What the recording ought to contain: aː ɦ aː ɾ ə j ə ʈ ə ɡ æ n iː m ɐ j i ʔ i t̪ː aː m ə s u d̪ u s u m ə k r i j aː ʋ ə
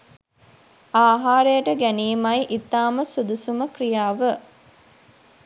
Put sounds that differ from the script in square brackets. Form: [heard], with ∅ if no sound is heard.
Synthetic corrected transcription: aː ɦ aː ɾ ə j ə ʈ ə ɡ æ n iː m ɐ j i ʔ i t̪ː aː m ə s u d̪ u s u m ə k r i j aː ʋ ə